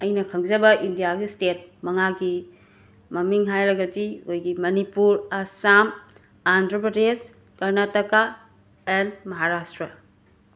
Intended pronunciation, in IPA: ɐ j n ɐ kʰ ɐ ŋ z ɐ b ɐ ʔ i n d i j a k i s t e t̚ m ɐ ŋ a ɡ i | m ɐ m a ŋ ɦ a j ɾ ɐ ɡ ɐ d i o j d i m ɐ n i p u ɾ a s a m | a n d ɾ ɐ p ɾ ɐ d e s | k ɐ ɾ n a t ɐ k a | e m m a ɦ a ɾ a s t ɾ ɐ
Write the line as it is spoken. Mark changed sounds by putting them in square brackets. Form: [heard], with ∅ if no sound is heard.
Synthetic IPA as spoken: ɐ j n ɐ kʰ ɐ ŋ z ɐ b ɐ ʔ i n d i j a [ɡ] i s t e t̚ m ɐ ŋ a ɡ i | m ɐ m [i] ŋ ɦ a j ɾ ɐ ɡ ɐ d i o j [ɡ] i m ɐ n i p u ɾ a s a m | a n d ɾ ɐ p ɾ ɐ d e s | k ɐ ɾ n a t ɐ k a | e [n] m [ɐ] ɦ a ɾ a s t ɾ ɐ

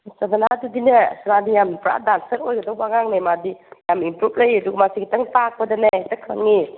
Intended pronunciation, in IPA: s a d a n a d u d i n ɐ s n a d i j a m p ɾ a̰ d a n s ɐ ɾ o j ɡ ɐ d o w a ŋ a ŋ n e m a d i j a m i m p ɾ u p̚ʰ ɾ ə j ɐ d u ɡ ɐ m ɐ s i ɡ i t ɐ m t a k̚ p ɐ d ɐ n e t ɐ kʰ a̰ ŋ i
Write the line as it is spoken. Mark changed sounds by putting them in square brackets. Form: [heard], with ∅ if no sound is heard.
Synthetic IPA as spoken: s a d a n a d u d i n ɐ s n a d i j a m p ɾ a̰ d a n s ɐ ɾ o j ɡ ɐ d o w a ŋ a ŋ n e m a d i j a m i m p ɾ u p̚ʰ [l] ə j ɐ d u ɡ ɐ m [a] s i ɡ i t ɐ [ŋ] t a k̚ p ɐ d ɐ n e t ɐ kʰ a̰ ŋ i

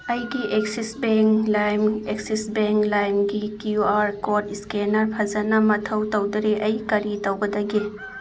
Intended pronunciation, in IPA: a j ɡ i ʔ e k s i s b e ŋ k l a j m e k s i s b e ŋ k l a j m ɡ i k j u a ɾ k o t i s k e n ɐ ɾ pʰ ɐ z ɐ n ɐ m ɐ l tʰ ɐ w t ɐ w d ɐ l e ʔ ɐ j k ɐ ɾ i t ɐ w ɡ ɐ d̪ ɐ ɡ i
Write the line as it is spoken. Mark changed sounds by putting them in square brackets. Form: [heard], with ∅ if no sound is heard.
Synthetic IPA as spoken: [ɐ] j ɡ i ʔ e k s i s b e ŋ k l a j m e k s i s b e ŋ k l a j m ɡ i k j u a ɾ k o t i s k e n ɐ ɾ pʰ ɐ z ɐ n ɐ m ɐ [∅] tʰ ɐ w t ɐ w d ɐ [ɾ] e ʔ ɐ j k ɐ ɾ i t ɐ w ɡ ɐ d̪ ɐ ɡ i

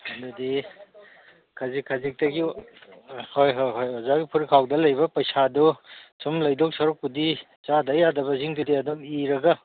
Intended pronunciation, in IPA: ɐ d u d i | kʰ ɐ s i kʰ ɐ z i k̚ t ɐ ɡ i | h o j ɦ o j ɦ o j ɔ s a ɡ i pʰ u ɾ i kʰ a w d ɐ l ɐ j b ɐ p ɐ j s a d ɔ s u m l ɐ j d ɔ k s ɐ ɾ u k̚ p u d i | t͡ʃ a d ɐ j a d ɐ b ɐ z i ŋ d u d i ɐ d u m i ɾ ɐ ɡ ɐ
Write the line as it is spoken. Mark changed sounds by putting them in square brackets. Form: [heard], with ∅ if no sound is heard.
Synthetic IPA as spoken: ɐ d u d i | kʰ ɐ [z] i kʰ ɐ z i k̚ t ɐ ɡ i | h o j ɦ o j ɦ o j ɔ [z] a ɡ i pʰ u ɾ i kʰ a w d ɐ l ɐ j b ɐ p ɐ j s a d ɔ s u m l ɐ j d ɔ k s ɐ ɾ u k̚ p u d i | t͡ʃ a d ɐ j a d ɐ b ɐ z i ŋ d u d i ɐ d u m i ɾ ɐ ɡ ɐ

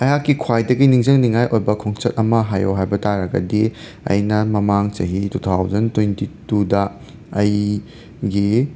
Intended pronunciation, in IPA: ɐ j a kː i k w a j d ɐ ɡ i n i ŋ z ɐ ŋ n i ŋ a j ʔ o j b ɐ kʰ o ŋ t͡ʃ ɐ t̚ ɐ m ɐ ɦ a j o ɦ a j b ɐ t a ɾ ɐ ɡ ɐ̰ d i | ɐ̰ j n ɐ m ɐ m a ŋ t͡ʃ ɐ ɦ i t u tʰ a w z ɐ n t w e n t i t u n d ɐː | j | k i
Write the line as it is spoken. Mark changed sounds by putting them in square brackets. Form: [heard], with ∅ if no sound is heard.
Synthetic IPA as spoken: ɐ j a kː i [kʰ] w a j d ɐ ɡ i n i ŋ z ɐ ŋ n i ŋ a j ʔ o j b ɐ kʰ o ŋ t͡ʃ ɐ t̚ ɐ m ɐ ɦ a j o ɦ a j b ɐ t a ɾ ɐ ɡ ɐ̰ d i | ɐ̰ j n ɐ m ɐ m a ŋ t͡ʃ ɐ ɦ i t u tʰ a w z ɐ n t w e n t i t u [∅] d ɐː | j | [ɡ] i

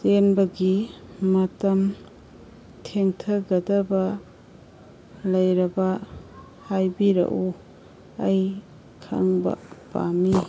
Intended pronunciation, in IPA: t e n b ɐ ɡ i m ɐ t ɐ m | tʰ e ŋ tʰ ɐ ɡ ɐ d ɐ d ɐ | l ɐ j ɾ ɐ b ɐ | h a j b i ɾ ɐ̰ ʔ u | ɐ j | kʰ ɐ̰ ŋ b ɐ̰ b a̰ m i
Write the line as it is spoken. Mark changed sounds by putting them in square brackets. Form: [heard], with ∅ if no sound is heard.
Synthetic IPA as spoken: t e n b ɐ ɡ i m ɐ t ɐ m | tʰ e ŋ tʰ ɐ ɡ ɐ d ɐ [b] ɐ | l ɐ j ɾ ɐ b ɐ | h a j b i ɾ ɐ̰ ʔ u | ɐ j | kʰ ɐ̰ ŋ b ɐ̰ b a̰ m i

